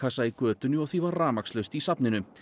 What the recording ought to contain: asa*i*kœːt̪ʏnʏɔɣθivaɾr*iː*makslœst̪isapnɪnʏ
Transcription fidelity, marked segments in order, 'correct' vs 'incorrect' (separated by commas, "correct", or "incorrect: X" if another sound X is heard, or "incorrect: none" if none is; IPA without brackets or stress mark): correct, incorrect: aː